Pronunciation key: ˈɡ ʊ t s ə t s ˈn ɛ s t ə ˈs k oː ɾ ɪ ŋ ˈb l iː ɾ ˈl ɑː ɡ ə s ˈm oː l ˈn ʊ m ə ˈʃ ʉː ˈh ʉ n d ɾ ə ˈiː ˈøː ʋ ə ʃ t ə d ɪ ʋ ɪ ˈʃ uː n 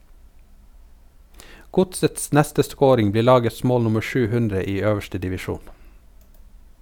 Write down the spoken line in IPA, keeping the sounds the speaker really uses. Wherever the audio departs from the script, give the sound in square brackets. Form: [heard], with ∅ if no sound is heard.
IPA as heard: ˈɡ ʊ t s ə t s ˈn ɛ s t ə ˈs k oː ɾ ɪ ŋ ˈb l iː ɾ ˈl ɑː ɡ ə s ˈm oː l ˈn ʊ m ə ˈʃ ʉː ˈh ʉ n d ɾ ə ˈiː ˈøː ʋ ə ʃ t ə d ɪ ʋ ɪ ˈʃ uː n